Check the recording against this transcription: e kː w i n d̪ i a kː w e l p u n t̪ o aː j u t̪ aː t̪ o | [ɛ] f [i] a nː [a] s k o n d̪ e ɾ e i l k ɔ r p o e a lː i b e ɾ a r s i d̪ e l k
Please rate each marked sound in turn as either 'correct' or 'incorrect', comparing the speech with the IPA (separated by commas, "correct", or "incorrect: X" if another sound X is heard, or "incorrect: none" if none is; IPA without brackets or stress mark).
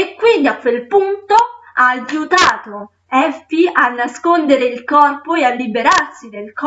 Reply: correct, correct, correct